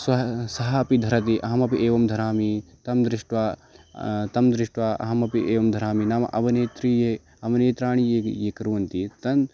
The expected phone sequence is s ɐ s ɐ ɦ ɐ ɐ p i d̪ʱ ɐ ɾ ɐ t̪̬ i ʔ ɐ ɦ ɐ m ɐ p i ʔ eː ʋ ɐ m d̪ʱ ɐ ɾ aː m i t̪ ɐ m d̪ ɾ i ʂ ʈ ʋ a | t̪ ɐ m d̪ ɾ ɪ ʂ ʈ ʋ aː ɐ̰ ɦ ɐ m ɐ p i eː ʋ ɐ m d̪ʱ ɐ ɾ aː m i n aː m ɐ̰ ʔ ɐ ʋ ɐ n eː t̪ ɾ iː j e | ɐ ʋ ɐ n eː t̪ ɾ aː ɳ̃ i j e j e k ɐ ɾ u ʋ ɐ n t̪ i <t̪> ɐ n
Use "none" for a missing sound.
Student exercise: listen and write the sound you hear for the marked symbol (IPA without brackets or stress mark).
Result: t̪